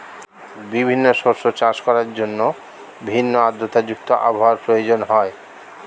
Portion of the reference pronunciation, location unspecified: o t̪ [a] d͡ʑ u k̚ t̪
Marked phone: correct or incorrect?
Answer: correct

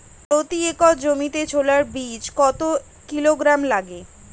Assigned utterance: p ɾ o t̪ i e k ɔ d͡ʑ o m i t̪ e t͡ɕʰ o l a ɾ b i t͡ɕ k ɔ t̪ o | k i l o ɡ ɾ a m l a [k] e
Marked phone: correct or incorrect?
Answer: incorrect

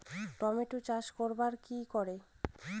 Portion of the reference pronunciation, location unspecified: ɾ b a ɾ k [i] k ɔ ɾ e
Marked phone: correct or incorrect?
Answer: correct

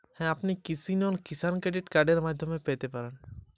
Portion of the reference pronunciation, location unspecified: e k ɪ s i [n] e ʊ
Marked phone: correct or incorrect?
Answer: correct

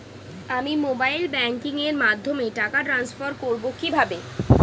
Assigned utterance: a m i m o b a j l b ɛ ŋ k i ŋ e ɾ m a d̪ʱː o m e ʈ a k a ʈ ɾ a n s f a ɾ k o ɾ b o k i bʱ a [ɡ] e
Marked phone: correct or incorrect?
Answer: incorrect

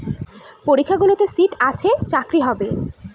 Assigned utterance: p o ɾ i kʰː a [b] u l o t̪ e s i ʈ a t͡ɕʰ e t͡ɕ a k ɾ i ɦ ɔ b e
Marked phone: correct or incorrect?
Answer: incorrect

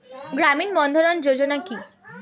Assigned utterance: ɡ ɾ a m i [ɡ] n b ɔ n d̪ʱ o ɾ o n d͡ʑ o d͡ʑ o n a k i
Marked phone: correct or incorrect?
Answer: incorrect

